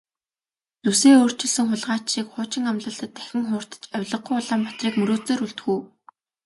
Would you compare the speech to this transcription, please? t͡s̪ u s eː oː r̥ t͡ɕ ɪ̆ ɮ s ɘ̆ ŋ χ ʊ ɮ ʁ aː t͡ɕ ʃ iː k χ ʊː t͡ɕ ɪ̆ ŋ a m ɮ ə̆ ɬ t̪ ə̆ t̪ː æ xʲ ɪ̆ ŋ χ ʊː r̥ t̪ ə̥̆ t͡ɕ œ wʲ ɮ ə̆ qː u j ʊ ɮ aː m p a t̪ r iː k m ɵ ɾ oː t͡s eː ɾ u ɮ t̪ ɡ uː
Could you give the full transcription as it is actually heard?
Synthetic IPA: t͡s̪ u s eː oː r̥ t͡ɕ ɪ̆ ɮ s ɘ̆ ŋ χ ʊ ɮ ʁ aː t͡ɕ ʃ iː k χ ʊː t͡ɕ ɪ̆ ŋ a m ɮ ə̆ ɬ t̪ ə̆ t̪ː æ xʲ ɪ̆ ŋ χ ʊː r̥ t̪ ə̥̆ t͡ɕ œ wʲ ɮ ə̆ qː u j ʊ ɮ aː m p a t̪ r iː k m ɵ ɾ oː t͡s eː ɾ u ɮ t̪ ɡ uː